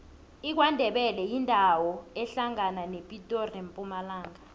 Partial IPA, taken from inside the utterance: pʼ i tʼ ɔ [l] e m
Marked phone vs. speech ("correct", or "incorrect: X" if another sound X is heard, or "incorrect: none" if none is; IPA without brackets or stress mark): incorrect: r